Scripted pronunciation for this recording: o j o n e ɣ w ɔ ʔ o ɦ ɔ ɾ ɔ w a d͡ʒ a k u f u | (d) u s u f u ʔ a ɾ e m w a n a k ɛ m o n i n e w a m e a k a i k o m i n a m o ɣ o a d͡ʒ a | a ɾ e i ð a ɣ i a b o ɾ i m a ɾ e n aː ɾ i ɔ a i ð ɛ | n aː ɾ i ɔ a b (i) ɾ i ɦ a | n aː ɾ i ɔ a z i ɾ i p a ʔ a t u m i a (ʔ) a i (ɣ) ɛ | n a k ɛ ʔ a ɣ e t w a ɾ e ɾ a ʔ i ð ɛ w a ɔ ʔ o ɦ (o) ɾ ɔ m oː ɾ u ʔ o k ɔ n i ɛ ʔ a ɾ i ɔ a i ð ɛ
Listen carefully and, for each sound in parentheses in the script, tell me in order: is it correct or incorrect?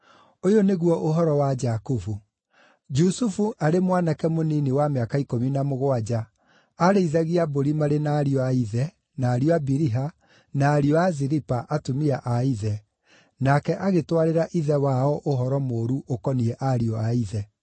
incorrect, correct, correct, incorrect, incorrect

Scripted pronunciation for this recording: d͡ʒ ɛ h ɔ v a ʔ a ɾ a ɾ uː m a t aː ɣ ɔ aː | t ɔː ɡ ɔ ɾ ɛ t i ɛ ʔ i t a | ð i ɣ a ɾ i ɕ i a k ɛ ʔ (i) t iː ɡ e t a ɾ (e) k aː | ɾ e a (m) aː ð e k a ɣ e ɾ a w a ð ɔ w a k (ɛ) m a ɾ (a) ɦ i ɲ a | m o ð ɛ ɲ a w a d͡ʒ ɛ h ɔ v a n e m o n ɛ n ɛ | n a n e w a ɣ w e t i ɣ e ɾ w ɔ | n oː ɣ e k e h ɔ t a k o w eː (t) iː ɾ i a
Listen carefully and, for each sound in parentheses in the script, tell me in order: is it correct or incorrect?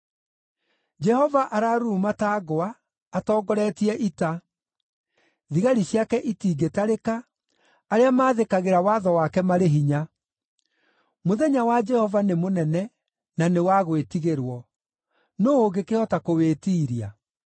correct, correct, correct, correct, incorrect, correct

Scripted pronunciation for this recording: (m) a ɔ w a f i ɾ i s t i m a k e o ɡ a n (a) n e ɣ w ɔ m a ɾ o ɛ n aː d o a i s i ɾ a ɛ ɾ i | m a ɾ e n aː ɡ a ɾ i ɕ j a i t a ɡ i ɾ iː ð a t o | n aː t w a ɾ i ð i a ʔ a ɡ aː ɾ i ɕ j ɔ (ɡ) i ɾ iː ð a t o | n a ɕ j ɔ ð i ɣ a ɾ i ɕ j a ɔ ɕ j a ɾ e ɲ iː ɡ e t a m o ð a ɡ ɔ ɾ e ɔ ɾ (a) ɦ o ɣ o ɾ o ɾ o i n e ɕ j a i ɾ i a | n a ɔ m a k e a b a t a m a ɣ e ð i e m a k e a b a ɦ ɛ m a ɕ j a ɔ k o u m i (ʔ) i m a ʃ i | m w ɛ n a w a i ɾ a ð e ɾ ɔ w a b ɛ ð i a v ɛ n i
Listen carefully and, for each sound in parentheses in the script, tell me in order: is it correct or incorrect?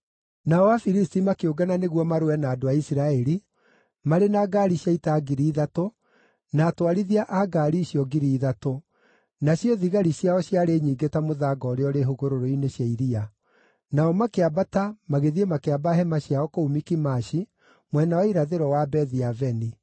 incorrect, correct, correct, incorrect, incorrect

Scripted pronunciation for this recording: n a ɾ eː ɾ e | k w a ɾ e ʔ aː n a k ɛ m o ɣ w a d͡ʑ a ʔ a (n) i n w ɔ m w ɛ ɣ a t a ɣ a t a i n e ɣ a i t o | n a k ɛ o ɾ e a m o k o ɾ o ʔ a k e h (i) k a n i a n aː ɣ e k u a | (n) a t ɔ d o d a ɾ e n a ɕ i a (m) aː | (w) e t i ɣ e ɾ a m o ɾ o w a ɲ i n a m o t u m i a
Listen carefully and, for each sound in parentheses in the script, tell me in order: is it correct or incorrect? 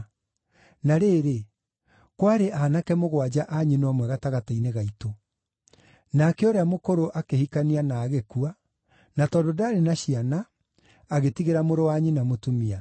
incorrect, correct, correct, incorrect, incorrect

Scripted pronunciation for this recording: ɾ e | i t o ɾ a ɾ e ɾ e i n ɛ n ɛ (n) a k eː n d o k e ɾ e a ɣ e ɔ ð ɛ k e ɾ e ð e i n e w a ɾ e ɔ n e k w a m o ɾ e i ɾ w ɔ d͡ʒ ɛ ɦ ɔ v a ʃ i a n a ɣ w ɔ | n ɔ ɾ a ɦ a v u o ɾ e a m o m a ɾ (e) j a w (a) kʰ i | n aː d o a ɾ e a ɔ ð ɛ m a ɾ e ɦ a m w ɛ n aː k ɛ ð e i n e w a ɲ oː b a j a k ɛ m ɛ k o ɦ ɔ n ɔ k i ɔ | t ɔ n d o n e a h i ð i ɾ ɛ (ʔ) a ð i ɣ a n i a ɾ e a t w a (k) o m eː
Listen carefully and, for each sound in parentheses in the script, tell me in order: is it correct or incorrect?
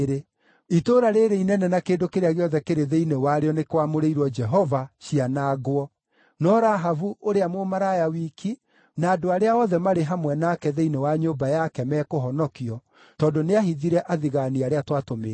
correct, incorrect, incorrect, correct, incorrect

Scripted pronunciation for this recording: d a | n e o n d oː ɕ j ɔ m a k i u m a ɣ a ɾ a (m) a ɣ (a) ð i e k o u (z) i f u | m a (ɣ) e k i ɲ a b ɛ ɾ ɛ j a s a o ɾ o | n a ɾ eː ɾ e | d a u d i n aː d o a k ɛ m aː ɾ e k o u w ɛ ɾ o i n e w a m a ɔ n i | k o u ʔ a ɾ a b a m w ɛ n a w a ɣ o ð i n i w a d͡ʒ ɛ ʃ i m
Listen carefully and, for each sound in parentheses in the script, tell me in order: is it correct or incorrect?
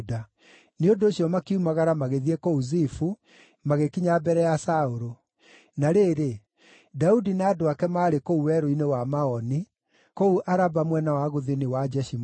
correct, incorrect, correct, correct

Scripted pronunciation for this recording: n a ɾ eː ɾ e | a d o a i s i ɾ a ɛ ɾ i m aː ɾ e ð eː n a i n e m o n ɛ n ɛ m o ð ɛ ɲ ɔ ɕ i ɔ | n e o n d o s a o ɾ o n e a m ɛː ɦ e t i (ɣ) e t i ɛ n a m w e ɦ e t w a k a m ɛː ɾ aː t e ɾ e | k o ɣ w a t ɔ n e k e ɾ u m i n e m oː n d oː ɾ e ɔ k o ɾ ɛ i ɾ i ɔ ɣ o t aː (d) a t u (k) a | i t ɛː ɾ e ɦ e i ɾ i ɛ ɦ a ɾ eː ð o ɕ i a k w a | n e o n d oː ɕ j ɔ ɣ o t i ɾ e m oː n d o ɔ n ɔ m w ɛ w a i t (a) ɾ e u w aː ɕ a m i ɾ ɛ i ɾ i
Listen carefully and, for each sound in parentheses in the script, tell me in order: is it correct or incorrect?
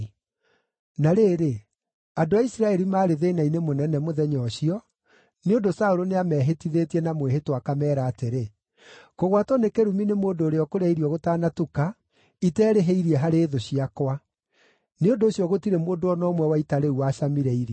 incorrect, incorrect, correct, correct

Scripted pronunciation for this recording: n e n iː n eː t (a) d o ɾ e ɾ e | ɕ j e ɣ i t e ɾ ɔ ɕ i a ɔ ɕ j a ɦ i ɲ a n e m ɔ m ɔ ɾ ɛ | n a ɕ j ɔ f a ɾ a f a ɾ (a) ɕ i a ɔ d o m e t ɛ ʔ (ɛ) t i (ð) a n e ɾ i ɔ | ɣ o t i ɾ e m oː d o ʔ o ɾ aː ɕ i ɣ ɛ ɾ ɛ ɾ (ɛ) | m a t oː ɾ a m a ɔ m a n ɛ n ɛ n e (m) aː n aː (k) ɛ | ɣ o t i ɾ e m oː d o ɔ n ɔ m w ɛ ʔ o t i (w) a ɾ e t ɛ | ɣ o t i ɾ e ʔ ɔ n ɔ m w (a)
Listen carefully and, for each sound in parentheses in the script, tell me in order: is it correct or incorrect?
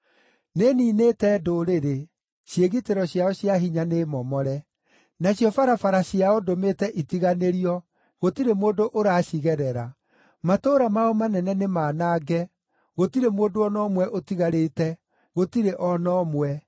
incorrect, correct, incorrect, incorrect, incorrect, correct, incorrect, incorrect, incorrect

